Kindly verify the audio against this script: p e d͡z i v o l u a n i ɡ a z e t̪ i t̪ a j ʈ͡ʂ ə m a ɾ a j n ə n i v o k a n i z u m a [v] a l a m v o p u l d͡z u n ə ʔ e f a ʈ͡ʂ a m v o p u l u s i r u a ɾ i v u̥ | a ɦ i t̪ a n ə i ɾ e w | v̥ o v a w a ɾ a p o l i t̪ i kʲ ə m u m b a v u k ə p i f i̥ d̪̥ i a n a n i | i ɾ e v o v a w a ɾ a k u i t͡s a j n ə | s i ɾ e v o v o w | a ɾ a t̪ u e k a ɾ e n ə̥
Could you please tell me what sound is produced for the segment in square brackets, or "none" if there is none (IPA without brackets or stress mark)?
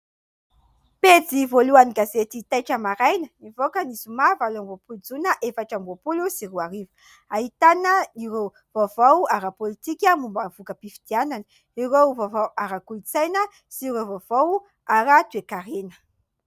v